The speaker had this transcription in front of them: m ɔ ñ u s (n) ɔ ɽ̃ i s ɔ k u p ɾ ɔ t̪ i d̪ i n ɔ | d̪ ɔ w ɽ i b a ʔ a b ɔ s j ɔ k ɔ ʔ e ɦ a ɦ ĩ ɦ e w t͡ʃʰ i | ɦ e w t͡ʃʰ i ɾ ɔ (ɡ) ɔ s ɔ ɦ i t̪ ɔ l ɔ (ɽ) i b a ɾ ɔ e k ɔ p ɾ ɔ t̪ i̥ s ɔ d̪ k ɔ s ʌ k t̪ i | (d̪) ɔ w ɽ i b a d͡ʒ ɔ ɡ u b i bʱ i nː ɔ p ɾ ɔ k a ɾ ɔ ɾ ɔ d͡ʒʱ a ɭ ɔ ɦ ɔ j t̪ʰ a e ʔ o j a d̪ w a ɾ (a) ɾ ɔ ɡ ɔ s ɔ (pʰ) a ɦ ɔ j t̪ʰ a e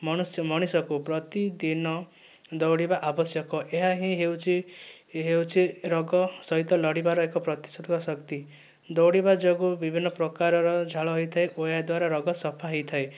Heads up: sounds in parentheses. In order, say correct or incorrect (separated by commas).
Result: incorrect, correct, correct, correct, correct, correct